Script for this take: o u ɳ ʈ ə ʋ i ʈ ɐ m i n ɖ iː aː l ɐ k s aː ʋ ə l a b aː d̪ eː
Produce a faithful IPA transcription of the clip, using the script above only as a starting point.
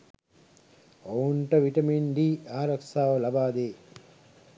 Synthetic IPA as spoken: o u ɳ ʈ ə ʋ i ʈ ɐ m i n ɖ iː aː ɾ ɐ k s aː ʋ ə l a b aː d̪ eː